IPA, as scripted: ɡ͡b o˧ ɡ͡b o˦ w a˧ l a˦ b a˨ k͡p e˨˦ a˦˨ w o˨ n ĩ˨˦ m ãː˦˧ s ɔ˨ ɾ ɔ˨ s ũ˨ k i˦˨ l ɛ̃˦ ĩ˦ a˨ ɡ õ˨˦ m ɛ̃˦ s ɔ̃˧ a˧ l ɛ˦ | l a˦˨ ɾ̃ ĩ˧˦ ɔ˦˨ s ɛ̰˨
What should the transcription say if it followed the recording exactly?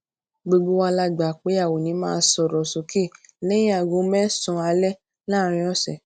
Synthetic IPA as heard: ɡ͡b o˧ ɡ͡b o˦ w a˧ l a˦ ɡ͡b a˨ k͡p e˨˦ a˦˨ w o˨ n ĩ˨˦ m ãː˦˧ s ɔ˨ ɾ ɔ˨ s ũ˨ k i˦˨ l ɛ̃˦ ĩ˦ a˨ ɡ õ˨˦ m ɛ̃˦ s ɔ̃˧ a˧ l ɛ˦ | l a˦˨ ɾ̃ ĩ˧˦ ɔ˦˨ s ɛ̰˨